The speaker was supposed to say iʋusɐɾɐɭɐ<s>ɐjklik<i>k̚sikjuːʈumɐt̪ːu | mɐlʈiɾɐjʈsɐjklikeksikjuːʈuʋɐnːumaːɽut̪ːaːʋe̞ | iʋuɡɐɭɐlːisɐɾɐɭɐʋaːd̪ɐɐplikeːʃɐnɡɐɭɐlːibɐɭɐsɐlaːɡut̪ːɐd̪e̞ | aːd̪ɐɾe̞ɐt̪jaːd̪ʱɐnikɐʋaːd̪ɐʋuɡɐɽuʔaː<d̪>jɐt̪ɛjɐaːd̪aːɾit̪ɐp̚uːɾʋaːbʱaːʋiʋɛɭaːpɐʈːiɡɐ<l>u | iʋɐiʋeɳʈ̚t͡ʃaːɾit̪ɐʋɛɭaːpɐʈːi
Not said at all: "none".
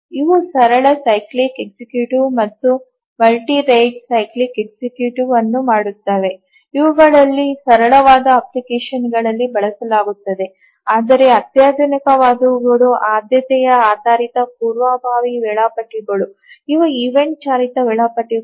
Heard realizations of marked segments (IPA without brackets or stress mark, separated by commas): s, e, d̪, ɭ